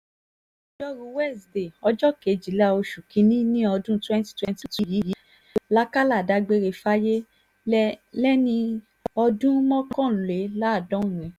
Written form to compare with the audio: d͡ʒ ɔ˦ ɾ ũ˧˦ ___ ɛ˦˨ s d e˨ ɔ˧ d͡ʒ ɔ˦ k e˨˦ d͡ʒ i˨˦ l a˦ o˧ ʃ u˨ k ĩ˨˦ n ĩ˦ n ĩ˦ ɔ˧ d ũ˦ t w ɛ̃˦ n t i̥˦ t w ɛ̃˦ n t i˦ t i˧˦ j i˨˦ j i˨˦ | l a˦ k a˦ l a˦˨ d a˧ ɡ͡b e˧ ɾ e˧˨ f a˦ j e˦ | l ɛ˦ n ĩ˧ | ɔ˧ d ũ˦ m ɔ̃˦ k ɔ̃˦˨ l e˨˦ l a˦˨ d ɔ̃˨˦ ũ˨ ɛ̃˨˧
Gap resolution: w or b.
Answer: w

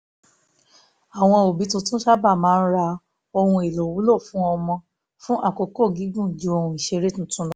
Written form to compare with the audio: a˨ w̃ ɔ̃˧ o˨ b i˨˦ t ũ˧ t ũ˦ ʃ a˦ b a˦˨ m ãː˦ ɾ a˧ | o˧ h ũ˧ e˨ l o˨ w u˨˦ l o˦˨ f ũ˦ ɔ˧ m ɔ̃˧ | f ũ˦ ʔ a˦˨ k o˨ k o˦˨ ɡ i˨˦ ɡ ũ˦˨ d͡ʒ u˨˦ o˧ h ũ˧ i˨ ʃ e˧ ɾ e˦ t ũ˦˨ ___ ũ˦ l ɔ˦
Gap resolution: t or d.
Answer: t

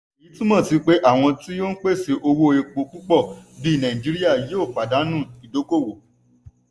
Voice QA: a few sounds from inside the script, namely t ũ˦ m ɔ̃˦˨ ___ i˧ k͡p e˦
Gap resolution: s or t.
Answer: t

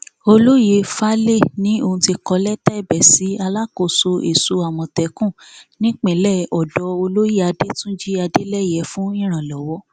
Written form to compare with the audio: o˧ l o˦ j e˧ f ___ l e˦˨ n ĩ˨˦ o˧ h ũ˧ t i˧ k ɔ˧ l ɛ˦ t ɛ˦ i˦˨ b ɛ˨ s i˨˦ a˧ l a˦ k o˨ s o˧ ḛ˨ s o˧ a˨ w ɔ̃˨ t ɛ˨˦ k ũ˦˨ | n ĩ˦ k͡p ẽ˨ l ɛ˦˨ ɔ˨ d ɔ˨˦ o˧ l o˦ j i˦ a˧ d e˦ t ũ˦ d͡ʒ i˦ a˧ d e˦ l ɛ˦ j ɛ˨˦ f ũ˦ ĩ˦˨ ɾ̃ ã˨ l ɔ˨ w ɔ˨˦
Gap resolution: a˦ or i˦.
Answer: a˦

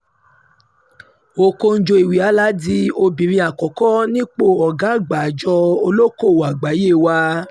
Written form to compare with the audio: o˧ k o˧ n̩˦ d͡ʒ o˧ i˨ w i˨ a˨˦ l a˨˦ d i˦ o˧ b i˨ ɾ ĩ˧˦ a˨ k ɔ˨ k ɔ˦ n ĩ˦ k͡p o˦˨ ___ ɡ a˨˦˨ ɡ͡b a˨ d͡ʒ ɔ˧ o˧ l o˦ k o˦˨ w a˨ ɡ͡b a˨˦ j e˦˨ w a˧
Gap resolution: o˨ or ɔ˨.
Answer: ɔ˨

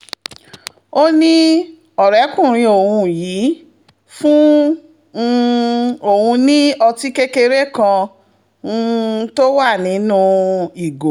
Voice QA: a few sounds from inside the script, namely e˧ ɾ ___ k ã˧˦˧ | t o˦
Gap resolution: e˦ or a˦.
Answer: e˦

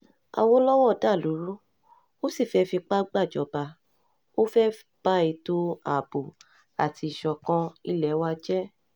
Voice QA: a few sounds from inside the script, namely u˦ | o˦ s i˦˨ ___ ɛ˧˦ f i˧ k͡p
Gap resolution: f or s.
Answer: f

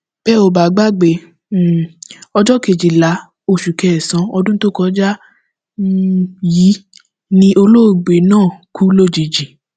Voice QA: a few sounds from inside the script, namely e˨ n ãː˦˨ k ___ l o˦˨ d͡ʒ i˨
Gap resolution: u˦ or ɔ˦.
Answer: u˦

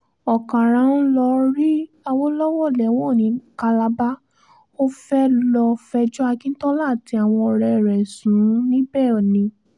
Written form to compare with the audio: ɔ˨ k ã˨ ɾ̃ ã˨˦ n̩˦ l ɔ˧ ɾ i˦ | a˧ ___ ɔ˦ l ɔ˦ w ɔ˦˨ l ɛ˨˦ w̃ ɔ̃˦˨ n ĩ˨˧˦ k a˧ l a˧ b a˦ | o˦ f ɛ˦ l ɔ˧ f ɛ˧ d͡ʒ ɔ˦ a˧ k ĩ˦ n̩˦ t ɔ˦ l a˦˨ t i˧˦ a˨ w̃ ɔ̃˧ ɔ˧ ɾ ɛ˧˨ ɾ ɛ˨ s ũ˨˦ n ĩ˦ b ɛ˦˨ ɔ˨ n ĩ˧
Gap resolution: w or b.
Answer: w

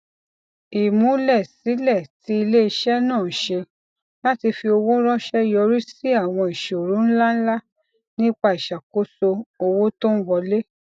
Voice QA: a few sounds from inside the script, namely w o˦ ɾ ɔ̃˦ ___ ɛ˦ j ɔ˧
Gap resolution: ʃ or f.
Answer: ʃ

